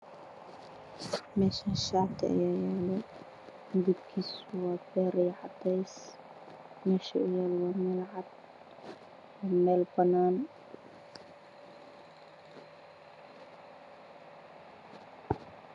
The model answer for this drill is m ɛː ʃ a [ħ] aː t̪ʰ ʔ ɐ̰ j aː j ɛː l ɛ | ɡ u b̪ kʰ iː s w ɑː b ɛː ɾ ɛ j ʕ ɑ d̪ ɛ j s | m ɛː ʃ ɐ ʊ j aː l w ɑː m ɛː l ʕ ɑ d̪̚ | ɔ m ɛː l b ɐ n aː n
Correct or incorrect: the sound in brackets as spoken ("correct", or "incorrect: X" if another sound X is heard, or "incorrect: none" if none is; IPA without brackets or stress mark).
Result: incorrect: ʃ